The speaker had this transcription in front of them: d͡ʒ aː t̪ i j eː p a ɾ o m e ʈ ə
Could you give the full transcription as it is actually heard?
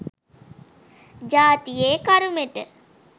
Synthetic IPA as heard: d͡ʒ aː t̪ i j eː k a ɾ u m e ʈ ə